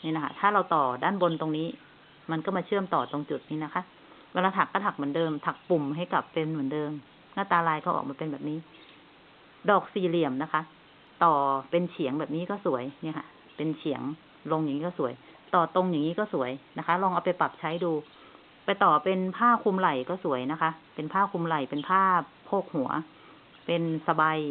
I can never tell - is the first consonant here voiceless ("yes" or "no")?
no